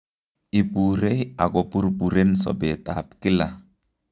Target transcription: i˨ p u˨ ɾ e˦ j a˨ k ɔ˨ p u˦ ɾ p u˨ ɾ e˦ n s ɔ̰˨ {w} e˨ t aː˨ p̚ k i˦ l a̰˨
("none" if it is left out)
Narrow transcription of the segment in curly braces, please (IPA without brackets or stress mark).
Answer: b